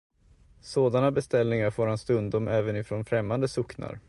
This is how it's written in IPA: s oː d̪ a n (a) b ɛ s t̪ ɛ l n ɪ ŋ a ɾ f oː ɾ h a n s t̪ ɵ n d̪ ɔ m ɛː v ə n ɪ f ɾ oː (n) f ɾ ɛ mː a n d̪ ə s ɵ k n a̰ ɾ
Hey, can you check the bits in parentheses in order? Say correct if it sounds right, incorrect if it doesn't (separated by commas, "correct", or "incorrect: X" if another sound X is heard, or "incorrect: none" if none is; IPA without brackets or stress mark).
correct, correct